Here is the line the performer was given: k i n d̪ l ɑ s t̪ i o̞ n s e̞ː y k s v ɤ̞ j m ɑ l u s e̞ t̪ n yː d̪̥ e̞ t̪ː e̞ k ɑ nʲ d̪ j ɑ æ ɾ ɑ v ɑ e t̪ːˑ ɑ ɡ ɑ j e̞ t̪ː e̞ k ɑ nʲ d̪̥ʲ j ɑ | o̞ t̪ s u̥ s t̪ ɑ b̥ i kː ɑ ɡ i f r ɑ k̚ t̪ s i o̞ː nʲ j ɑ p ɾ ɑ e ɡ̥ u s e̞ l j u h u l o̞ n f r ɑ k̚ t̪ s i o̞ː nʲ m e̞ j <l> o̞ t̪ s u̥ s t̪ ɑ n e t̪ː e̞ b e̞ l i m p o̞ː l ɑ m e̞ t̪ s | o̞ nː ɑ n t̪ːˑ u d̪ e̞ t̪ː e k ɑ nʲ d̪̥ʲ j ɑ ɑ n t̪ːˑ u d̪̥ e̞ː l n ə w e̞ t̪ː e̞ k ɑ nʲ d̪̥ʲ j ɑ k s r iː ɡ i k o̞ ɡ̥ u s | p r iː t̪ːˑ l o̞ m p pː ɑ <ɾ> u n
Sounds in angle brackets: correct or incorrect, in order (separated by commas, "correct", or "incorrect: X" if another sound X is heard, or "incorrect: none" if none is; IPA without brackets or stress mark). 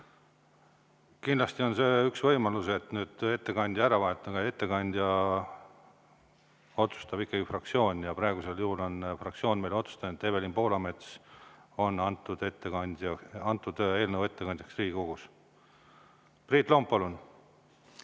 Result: correct, incorrect: l